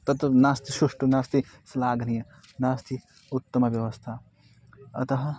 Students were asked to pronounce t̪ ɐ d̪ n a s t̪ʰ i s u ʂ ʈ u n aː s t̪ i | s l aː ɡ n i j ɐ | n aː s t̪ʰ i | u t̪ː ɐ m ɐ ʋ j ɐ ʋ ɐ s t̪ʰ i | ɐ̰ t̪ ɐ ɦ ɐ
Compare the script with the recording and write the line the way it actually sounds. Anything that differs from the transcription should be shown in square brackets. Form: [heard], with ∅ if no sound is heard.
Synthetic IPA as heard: t̪ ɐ [t̪] n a s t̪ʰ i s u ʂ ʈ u n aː s t̪ i | s l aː ɡ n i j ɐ | n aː s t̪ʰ i | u t̪ː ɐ m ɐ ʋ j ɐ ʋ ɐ s t̪ʰ [a] | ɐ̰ t̪ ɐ ɦ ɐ